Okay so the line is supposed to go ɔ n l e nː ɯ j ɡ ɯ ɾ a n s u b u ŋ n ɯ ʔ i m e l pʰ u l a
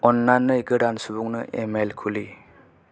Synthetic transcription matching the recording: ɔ n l a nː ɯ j ɡ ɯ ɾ a n s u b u ŋ n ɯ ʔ e m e l kʰ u l i